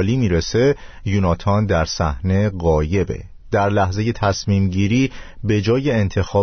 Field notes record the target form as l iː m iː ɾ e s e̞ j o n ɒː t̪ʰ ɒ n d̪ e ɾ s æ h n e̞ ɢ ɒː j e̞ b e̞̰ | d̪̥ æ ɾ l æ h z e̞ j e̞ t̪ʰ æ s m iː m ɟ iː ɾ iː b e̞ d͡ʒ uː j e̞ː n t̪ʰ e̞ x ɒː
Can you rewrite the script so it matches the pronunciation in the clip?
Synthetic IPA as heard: l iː m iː ɾ e s e̞ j u n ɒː t̪ʰ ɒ n d̪ æ ɾ s æ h n e̞ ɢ ɒː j e̞ b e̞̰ | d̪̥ æ ɾ l æ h z e̞ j e̞ t̪ʰ æ s m iː m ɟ iː ɾ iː b e̞ d͡ʒ ɒː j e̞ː n t̪ʰ e̞ x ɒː